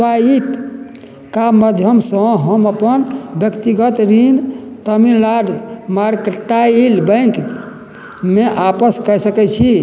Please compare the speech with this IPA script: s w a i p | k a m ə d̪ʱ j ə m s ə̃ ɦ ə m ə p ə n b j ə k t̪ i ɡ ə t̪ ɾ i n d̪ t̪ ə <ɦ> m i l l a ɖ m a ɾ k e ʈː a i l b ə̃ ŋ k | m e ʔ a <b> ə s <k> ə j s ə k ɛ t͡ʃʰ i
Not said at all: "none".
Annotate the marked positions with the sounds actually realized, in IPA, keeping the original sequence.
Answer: none, p, k

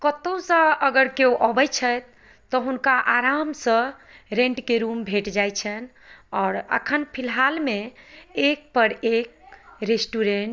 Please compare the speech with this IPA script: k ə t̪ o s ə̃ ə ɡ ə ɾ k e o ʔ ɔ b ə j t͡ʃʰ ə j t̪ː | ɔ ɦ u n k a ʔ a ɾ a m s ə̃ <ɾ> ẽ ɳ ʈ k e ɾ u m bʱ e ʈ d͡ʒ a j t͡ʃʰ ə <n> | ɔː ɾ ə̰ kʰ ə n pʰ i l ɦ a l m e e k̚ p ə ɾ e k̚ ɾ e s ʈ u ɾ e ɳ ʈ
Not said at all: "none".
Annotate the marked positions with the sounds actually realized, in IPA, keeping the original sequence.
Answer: ɾ, n

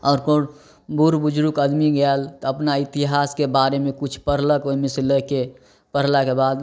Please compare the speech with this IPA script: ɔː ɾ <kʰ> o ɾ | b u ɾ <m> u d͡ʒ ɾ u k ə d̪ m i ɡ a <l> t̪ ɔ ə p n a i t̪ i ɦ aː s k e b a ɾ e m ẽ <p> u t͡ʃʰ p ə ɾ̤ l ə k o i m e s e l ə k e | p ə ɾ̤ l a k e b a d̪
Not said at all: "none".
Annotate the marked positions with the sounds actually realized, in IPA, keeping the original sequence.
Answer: k, b, l, k

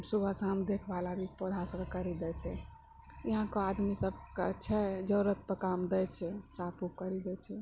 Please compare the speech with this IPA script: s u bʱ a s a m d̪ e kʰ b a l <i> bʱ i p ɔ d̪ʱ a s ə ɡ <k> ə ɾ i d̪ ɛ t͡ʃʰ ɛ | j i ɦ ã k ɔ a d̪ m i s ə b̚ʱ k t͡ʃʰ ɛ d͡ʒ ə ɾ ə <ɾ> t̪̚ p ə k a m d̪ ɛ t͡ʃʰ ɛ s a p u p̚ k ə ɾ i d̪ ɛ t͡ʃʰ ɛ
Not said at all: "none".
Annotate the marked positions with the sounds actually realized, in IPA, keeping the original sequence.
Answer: a, k, none

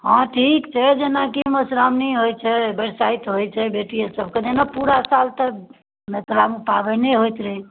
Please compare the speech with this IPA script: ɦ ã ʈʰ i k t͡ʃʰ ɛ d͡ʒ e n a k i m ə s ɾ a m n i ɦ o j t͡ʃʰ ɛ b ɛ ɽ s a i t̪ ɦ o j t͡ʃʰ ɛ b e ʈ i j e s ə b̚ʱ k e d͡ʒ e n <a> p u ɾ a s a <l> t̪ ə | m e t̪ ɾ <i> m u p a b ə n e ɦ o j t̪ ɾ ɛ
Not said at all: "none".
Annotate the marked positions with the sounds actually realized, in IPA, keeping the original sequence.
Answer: a, l, a

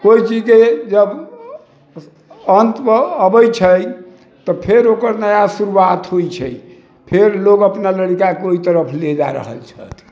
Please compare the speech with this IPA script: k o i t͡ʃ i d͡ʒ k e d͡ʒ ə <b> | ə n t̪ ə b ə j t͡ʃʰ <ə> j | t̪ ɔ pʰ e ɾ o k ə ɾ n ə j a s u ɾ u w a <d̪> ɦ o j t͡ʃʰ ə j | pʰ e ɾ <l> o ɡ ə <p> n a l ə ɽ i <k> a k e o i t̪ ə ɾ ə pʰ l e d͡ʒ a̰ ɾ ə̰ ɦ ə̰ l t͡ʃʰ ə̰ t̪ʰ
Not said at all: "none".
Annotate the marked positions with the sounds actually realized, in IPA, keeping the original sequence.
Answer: b, ə, t̪, l, p, k

